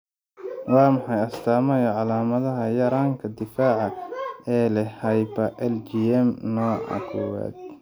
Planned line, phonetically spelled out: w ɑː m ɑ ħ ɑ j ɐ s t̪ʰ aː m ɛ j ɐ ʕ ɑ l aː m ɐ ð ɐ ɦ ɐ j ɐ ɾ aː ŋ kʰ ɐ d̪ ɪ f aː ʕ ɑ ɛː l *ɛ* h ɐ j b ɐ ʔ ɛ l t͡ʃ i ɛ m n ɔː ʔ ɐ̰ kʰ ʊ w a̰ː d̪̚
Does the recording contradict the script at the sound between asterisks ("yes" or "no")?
no